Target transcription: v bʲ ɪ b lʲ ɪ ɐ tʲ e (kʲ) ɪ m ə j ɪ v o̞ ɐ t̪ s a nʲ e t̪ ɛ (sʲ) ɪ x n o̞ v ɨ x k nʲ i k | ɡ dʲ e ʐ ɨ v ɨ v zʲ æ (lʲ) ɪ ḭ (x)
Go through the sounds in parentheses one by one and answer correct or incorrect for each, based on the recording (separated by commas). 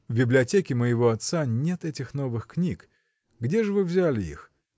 correct, incorrect, correct, correct